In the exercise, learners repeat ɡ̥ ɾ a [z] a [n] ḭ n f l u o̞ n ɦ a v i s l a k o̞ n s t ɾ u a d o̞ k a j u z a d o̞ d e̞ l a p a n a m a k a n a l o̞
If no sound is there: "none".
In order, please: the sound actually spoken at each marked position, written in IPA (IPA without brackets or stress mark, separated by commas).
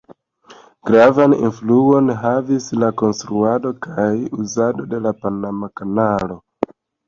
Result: v, n